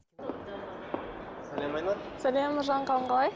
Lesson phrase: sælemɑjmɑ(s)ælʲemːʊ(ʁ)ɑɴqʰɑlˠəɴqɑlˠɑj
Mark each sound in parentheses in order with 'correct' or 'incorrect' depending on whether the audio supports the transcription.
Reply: correct, incorrect: ʒ

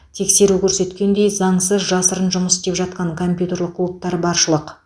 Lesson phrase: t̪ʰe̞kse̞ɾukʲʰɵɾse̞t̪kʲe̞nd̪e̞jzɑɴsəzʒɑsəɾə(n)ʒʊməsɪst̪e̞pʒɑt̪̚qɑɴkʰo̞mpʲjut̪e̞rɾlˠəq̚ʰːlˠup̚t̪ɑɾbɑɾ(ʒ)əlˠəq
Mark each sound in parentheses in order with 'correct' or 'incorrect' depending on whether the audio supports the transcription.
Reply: correct, incorrect: ʃ

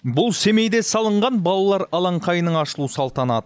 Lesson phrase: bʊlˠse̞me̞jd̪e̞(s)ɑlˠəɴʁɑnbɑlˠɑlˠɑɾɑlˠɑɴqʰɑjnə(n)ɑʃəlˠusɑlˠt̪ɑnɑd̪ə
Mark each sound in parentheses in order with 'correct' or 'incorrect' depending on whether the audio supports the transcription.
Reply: correct, incorrect: ɴ

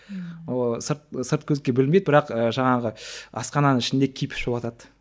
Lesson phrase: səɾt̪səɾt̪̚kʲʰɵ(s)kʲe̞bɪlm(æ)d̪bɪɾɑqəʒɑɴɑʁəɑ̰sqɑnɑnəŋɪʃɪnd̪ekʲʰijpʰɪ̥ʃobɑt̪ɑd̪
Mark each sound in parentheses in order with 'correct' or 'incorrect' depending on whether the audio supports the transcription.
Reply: incorrect: z, incorrect: e

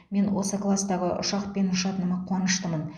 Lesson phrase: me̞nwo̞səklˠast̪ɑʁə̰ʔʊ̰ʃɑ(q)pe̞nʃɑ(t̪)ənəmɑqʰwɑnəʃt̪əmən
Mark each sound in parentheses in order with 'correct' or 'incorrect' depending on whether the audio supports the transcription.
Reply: correct, correct

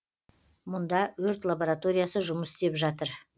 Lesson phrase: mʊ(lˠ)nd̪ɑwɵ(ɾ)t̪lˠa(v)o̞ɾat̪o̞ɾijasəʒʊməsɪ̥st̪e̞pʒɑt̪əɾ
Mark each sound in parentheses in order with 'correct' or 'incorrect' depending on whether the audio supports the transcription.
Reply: incorrect: none, correct, incorrect: b

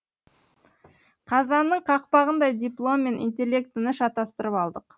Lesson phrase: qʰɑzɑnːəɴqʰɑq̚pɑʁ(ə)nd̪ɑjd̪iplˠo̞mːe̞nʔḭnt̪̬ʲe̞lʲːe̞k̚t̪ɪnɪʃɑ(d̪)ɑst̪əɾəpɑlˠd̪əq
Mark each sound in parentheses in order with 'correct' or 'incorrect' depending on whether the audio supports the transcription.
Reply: correct, incorrect: t̪

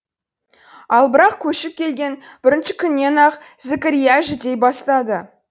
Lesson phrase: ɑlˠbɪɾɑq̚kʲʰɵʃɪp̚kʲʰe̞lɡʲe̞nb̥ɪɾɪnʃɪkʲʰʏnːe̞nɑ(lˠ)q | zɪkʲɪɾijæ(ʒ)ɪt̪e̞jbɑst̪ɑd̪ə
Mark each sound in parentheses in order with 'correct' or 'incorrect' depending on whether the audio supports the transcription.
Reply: incorrect: none, correct

